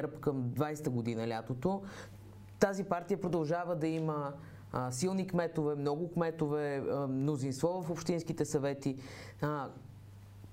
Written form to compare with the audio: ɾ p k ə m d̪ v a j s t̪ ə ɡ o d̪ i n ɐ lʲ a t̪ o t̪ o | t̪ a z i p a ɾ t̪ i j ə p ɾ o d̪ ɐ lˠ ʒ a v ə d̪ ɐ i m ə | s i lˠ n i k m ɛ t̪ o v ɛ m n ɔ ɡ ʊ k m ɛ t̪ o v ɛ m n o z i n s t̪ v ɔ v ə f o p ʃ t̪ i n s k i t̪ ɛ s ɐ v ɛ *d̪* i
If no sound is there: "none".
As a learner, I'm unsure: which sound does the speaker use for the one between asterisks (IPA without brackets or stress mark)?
t̪